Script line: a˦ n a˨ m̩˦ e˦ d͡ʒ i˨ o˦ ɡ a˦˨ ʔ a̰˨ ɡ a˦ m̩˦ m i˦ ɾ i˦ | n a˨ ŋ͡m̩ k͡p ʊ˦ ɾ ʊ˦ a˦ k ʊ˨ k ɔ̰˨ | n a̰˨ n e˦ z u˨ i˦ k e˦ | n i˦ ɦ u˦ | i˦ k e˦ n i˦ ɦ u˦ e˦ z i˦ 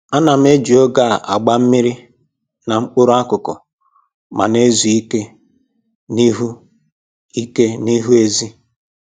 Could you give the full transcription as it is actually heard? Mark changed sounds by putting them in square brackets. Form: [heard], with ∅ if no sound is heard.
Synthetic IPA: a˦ n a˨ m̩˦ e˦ d͡ʒ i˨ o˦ ɡ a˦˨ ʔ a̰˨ [ɡ͡b] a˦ m̩˦ m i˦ ɾ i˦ | n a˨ ŋ͡m̩ k͡p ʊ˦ ɾ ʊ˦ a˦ k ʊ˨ k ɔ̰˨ | [m] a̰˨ n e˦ z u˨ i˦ k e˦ | n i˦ ɦ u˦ | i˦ k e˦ n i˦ ɦ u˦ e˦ z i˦